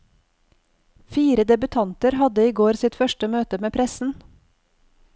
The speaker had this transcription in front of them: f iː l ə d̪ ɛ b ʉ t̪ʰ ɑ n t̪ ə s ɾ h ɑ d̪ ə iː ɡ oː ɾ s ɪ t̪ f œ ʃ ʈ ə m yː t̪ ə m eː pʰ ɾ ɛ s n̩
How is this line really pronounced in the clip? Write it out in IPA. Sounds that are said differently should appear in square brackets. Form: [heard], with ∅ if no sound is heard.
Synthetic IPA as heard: f iː [ɾ] ə d̪ ɛ b ʉ t̪ʰ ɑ n t̪ ə [∅] ɾ h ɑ d̪ ə iː ɡ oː ɾ s ɪ t̪ f œ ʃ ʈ ə m [øː] t̪ ə m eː pʰ ɾ ɛ s n̩

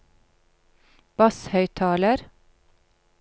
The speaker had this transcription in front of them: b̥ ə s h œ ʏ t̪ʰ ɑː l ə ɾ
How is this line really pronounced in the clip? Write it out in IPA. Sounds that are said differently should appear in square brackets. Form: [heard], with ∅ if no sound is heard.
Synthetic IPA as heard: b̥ [ɑ] s h œ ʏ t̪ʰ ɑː l ə ɾ

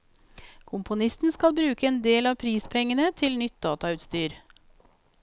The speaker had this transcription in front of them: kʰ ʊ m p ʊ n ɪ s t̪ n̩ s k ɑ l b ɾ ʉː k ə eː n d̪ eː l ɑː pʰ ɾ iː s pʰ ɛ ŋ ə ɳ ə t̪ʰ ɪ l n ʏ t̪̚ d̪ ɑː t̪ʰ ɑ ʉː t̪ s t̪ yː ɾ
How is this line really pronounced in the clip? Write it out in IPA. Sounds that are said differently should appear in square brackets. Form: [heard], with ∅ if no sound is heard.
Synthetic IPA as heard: kʰ ʊ m p ʊ n ɪ s t̪ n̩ s k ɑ l b ɾ ʉː k ə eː n d̪ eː l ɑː pʰ ɾ iː s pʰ ɛ ŋ ə [n] ə t̪ʰ ɪ l n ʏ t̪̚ d̪ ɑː [t̪] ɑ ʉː t̪ s t̪ yː ɾ

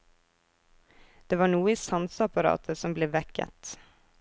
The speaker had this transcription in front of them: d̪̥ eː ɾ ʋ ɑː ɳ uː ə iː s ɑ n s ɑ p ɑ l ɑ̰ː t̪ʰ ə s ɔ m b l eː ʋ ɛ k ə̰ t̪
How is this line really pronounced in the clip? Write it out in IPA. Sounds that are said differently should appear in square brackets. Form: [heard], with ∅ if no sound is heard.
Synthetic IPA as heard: d̪̥ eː [∅] ʋ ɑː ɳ uː ə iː s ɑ n s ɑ p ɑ [ɾ] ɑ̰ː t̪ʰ ə s ɔ m b l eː ʋ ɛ k ə̰ t̪

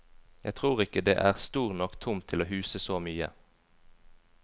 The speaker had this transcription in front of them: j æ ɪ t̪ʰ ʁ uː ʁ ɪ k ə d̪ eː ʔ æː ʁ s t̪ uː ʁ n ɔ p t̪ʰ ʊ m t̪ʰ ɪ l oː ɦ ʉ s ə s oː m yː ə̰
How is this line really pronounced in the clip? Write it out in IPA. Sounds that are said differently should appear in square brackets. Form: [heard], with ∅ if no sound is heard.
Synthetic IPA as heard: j æ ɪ t̪ʰ ʁ uː ʁ ɪ k ə d̪ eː ʔ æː ʁ s t̪ uː ʁ n ɔ [k] t̪ʰ ʊ m t̪ʰ ɪ l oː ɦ [ʉː] s ə s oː m yː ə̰

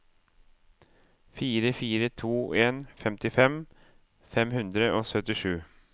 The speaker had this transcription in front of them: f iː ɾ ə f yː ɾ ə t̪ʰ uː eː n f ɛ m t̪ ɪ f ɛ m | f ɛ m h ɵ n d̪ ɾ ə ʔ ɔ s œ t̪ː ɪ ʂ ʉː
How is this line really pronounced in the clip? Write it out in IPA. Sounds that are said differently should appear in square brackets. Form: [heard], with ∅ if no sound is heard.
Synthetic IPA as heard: f iː ɾ ə f [iː] ɾ ə t̪ʰ uː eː n f ɛ m t̪ ɪ f ɛ m | f ɛ m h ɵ n d̪ ɾ ə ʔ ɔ s œ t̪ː ɪ ʂ ʉː

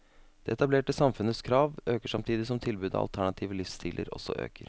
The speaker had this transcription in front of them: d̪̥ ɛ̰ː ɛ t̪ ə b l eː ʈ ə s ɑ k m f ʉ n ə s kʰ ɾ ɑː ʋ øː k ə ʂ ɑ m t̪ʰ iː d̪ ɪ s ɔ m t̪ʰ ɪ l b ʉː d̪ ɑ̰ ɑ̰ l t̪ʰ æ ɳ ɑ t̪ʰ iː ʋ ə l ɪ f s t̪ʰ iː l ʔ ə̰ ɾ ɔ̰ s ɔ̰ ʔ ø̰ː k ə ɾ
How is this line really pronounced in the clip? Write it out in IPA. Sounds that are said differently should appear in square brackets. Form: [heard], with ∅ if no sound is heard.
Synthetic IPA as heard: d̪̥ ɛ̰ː ɛ t̪ [ɑ] b l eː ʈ ə s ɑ [∅] m f ʉ n ə s kʰ ɾ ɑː ʋ øː k ə ʂ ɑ m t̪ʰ iː d̪ ɪ s ɔ m t̪ʰ ɪ l b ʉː d̪ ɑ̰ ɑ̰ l t̪ʰ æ ɳ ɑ t̪ʰ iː ʋ ə l ɪ f s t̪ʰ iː l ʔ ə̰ ɾ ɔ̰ s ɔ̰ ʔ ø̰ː k ə ɾ

